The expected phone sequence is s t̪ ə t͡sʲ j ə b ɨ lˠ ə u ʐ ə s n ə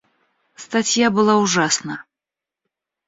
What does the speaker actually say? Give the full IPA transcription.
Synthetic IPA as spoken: s t̪ a t͡sʲ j a b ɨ lˠ a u ʐ a s n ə